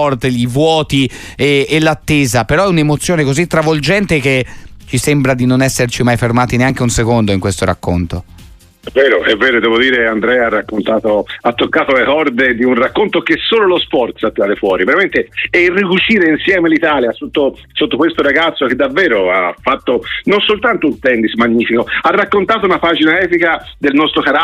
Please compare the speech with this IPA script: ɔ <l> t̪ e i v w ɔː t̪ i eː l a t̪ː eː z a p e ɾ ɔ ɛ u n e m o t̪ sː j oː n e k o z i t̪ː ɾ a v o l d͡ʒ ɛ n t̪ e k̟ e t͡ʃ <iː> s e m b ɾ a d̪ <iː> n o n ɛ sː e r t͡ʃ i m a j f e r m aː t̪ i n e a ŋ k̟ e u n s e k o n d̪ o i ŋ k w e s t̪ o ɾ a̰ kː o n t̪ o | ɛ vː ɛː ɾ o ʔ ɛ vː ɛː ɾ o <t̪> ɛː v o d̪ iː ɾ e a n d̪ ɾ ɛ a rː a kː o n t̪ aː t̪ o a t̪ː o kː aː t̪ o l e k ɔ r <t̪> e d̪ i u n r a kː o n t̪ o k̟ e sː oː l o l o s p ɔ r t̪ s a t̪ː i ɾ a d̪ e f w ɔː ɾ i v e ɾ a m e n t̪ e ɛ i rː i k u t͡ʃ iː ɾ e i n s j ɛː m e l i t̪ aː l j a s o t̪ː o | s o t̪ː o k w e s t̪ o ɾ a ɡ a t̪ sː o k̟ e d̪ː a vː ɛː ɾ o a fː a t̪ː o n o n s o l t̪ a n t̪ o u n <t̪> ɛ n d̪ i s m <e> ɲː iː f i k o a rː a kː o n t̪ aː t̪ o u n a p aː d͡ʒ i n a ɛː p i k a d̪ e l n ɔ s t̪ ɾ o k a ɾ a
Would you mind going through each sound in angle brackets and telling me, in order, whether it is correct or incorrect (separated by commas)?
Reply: incorrect, incorrect, incorrect, incorrect, incorrect, correct, incorrect